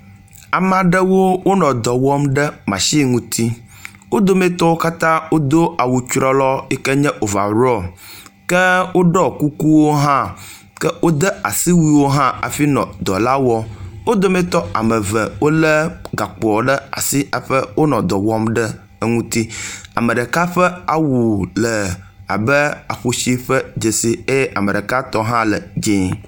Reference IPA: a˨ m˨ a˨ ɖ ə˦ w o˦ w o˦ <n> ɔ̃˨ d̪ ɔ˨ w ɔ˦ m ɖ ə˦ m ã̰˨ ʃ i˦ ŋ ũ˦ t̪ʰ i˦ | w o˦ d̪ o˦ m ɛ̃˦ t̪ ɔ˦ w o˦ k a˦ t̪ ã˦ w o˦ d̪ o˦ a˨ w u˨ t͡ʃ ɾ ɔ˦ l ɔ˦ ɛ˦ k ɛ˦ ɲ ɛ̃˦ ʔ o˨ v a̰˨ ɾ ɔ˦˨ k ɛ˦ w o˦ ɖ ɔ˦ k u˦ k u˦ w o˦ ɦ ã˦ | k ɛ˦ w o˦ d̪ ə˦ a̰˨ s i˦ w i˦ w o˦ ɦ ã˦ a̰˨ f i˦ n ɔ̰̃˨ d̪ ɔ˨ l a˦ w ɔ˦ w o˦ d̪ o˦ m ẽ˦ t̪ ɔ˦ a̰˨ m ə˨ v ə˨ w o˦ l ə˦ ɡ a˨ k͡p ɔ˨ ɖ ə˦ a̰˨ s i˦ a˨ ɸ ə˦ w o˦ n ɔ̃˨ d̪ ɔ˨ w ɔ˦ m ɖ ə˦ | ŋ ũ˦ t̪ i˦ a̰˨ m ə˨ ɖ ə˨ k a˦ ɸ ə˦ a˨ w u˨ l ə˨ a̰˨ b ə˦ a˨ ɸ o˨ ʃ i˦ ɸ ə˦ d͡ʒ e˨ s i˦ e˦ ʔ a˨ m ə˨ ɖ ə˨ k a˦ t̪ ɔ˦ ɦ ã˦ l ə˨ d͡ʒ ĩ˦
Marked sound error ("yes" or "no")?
no